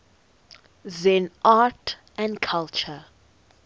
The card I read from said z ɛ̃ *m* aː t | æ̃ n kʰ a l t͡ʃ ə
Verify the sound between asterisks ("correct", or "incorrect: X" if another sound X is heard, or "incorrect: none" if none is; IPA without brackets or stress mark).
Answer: incorrect: n